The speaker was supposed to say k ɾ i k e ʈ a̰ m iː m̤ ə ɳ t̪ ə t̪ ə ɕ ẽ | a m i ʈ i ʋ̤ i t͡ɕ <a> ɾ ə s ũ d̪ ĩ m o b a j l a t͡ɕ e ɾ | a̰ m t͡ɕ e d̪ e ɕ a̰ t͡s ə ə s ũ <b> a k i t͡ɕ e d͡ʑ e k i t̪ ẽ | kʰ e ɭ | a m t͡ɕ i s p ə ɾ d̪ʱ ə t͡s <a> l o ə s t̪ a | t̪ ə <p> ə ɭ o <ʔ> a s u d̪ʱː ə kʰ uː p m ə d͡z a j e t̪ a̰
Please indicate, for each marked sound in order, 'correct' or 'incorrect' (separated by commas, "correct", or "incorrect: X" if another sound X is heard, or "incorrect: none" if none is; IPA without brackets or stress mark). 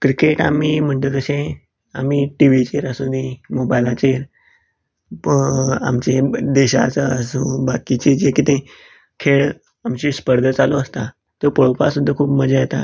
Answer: incorrect: e, correct, correct, correct, incorrect: p